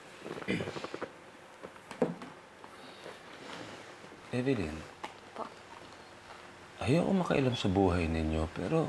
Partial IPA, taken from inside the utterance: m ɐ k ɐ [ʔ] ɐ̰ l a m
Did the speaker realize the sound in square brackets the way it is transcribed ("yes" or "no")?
yes